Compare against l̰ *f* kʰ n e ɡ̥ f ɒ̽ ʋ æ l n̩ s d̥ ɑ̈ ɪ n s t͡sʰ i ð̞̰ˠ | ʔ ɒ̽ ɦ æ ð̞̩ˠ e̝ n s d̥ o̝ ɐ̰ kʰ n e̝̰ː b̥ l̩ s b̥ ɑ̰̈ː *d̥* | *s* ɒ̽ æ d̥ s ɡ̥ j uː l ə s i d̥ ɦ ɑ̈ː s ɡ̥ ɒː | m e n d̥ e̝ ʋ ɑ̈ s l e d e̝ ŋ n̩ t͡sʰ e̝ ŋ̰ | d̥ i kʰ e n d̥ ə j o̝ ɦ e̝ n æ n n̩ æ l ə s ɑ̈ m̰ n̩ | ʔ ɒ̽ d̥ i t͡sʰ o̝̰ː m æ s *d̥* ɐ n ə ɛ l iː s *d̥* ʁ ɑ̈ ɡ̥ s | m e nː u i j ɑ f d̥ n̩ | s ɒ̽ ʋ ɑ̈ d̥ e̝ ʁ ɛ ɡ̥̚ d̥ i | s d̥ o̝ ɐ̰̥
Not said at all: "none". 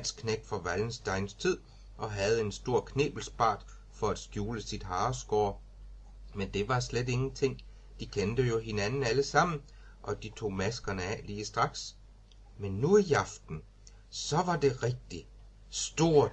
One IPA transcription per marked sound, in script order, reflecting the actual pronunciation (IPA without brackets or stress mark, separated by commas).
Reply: s, d̥, f, ɡ̥, d̥